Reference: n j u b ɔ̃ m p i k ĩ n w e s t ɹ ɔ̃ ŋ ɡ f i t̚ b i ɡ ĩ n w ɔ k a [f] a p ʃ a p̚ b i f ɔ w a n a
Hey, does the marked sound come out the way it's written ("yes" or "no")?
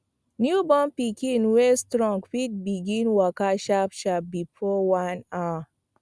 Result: no